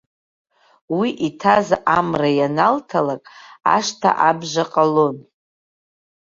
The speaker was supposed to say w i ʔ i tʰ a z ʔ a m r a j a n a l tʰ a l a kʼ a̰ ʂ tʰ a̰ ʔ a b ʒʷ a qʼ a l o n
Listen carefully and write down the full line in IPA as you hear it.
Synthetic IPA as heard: w i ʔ i tʰ a z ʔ a m r a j a n a l tʰ a l a kʼ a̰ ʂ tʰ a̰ ʔ a b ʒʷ a qʼ a l o n